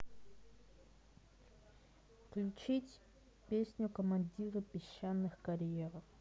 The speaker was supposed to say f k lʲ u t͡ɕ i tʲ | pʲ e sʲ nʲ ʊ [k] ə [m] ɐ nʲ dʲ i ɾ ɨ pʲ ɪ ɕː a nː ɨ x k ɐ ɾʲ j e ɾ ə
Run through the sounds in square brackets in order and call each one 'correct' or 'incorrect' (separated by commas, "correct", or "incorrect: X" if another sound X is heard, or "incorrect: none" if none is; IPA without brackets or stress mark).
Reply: correct, correct